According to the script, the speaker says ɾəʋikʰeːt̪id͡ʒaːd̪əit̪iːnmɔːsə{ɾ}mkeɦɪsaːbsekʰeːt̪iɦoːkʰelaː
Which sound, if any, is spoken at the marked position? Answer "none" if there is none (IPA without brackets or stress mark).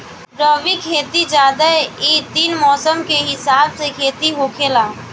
none